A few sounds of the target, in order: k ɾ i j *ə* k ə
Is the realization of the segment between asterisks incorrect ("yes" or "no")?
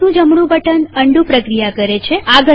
yes